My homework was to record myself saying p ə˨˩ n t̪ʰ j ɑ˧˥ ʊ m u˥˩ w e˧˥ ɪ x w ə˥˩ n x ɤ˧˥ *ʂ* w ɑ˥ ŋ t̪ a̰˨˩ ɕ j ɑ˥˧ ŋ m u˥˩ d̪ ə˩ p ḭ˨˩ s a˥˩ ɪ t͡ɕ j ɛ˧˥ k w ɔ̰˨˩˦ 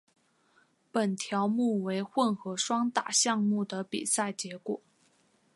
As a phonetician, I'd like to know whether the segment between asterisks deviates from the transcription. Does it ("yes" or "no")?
no